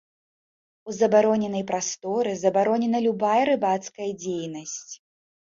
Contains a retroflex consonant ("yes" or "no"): no